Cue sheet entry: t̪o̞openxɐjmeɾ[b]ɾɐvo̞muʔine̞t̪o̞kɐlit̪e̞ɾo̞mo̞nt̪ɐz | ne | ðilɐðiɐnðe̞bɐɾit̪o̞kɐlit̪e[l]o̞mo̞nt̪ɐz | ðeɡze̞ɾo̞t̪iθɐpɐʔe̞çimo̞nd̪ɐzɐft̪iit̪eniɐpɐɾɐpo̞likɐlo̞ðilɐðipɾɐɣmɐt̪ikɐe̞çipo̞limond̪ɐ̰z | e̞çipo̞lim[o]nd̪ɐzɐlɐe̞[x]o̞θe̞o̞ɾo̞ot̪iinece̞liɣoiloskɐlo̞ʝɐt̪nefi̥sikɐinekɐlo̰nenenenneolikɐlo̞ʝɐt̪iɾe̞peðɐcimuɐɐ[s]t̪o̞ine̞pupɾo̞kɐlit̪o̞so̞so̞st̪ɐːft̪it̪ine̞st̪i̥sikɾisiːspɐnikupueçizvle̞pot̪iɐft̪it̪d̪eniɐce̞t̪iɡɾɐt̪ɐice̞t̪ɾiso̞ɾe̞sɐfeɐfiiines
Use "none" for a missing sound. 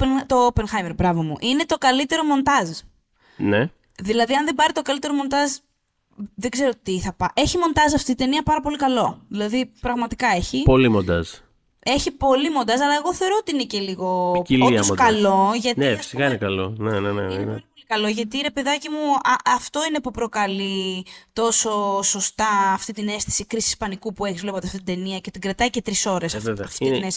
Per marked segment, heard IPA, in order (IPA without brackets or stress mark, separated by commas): b, ɾ, o, ɣ, f